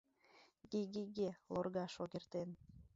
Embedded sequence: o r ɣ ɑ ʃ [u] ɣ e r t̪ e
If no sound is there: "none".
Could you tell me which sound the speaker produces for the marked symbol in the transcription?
o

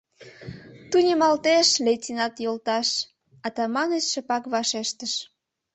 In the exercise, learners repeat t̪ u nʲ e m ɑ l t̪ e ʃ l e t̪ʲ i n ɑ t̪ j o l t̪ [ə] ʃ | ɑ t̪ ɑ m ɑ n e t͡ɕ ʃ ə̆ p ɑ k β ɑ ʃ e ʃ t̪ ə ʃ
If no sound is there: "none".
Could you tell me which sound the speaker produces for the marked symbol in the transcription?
ɑ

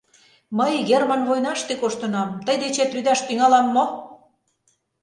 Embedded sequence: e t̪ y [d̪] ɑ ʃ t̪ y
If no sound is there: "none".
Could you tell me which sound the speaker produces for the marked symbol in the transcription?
d̪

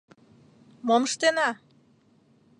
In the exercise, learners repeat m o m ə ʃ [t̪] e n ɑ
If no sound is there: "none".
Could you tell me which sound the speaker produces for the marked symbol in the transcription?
t̪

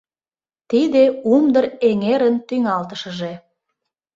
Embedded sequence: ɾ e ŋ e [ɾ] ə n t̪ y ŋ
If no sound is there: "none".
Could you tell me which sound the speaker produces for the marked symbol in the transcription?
ɾ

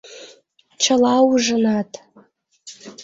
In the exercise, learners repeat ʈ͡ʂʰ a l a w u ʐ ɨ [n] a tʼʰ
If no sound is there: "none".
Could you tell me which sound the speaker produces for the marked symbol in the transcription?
n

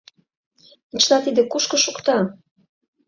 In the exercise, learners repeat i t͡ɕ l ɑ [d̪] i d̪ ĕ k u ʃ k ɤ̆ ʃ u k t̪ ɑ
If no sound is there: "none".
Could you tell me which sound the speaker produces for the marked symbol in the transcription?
t̪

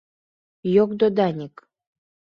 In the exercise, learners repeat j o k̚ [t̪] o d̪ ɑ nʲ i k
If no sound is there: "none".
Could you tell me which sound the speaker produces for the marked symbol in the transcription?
d̪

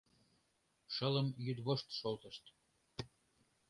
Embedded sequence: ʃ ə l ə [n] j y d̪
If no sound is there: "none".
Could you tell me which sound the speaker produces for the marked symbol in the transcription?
m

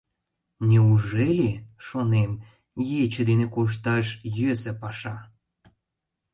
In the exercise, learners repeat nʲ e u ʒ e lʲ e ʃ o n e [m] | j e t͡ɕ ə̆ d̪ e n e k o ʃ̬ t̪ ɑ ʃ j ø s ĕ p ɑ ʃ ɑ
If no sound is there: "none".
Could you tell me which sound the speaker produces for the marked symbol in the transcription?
m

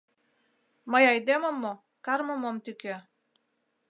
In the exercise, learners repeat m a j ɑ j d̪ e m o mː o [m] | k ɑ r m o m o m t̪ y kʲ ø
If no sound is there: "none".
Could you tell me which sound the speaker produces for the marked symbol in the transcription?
none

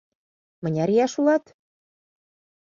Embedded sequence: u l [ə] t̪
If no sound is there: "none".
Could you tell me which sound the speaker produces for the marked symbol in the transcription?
ɑ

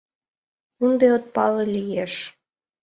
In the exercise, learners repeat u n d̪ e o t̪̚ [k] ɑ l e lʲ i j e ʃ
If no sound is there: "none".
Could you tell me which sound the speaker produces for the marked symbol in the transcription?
p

